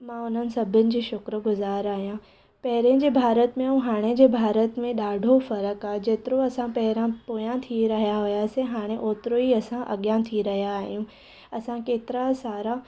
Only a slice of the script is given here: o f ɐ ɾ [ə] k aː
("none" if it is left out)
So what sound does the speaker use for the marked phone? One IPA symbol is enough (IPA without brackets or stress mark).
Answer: ə